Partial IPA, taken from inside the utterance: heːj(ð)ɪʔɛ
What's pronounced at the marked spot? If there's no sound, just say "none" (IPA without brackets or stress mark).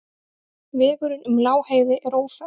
ð